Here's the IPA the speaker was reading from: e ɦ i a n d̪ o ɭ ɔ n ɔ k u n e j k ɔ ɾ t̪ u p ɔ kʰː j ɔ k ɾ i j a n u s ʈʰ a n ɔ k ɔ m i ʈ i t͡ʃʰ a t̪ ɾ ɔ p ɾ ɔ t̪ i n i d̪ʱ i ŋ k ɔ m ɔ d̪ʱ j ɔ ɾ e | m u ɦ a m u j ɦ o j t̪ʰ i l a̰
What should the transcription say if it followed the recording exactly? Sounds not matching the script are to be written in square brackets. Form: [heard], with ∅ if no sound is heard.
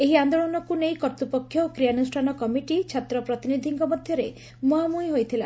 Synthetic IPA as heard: e ɦ i a n d̪ o ɭ ɔ n ɔ k u n e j k ɔ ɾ t̪ u p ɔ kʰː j ɔ k ɾ i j a n u s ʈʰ a n ɔ k ɔ m i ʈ i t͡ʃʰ a t̪ ɾ ɔ p ɾ ɔ t̪ i n i d̪ʱ i ŋ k ɔ m ɔ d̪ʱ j ɔ ɾ e | m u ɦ a m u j ɦ o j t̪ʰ i l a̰